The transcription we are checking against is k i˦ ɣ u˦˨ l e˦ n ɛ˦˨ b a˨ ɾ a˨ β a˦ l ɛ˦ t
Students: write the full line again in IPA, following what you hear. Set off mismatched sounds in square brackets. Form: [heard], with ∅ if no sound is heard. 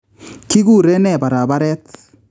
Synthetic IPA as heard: k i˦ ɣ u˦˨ [ɾ] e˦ n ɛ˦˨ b a˨ ɾ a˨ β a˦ [ɾ] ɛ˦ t